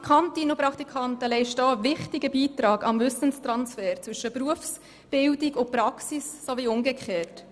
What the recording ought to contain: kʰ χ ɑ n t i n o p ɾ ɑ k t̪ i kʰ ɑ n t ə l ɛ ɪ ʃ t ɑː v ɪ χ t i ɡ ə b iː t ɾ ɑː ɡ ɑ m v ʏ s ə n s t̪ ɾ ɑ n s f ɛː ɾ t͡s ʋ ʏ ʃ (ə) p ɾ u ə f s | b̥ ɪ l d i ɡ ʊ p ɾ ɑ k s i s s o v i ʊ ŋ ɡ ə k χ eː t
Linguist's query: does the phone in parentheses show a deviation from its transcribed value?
no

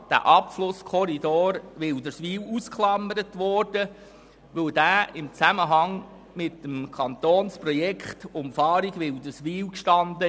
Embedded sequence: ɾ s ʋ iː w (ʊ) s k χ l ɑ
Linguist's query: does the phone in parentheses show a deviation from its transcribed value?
yes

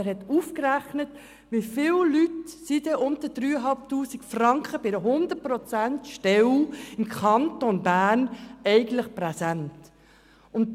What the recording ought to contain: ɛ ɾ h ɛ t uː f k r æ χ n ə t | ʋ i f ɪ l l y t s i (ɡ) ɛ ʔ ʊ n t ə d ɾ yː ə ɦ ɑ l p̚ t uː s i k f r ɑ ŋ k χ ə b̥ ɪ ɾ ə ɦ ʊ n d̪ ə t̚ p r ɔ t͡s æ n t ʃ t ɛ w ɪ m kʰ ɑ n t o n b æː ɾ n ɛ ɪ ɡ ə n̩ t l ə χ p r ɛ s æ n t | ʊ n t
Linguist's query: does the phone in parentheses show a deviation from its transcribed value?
yes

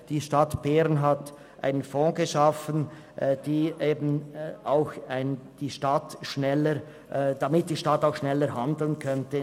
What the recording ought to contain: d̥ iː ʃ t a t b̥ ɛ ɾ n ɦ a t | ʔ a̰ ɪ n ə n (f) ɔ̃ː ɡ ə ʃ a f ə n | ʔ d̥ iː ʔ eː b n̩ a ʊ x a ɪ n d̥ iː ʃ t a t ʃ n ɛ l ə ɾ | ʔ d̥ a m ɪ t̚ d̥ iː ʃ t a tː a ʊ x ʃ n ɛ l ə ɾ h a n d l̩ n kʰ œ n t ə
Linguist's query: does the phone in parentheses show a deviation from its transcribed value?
no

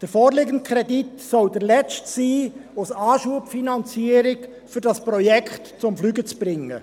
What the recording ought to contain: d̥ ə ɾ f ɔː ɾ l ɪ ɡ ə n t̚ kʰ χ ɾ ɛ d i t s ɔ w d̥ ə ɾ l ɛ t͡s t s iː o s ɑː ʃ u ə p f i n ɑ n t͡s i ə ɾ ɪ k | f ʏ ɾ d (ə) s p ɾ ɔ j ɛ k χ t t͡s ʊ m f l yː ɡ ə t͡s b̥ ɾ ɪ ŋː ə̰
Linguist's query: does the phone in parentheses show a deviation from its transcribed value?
yes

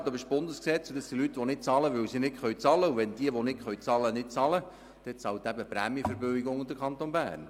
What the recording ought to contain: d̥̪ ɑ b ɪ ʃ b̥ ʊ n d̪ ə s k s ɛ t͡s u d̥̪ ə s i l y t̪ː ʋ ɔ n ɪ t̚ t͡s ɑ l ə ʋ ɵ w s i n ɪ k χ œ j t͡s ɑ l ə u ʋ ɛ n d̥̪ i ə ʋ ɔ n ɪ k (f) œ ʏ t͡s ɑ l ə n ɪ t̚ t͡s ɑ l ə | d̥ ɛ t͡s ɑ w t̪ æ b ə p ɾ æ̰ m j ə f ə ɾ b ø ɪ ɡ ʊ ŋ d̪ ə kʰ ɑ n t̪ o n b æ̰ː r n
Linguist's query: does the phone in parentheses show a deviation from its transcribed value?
yes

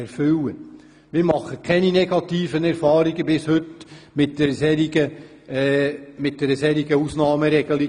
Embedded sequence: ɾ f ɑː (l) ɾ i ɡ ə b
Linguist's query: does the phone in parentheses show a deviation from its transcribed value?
yes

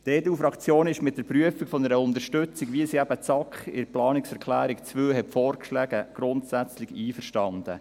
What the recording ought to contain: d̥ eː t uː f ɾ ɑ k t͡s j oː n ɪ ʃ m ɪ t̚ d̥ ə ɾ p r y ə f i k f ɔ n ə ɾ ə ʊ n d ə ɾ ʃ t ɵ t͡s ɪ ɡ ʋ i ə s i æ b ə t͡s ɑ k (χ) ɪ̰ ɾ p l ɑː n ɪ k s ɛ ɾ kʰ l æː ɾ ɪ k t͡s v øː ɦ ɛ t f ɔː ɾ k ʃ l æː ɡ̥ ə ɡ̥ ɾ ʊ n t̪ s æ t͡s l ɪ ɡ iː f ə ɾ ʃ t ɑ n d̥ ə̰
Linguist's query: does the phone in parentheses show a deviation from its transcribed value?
no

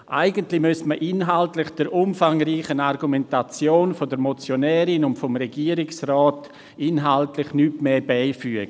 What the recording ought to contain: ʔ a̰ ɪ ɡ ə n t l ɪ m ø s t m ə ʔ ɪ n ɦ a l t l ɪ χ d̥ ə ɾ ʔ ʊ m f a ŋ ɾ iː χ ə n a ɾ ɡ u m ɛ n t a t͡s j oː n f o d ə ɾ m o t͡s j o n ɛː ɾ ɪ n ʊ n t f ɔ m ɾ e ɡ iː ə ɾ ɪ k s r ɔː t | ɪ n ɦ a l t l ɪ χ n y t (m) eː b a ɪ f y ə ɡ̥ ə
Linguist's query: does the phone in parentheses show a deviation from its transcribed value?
no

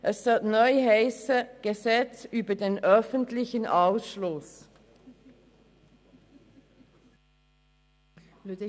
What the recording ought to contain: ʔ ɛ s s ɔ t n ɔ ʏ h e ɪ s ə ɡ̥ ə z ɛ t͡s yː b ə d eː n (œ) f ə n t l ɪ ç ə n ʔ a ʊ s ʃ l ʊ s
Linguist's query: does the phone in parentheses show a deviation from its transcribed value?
no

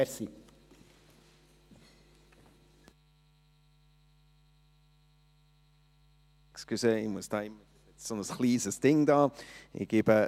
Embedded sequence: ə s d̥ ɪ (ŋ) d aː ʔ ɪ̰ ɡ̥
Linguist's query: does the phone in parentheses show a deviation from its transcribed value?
no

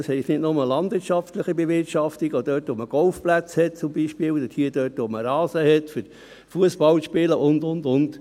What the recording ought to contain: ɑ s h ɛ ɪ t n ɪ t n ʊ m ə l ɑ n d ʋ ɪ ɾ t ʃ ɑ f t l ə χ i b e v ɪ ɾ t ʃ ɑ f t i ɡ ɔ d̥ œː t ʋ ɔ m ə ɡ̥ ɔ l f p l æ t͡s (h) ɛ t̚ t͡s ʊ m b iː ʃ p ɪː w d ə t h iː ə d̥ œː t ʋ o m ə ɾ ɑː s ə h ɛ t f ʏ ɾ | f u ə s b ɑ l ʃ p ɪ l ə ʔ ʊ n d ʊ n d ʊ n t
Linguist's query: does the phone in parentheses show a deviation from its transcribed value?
no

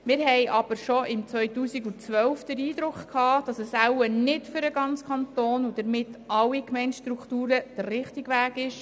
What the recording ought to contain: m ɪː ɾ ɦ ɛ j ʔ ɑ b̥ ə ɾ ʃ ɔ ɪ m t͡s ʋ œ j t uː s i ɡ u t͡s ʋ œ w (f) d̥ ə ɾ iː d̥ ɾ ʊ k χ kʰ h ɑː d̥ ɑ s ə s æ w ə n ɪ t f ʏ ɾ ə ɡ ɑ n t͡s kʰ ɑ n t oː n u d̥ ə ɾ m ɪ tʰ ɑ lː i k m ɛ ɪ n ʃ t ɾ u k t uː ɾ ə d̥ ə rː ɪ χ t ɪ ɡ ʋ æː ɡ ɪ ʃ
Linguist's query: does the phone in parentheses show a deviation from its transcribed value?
no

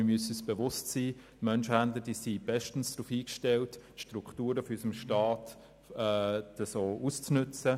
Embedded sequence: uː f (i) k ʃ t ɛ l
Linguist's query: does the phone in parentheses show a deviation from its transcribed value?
yes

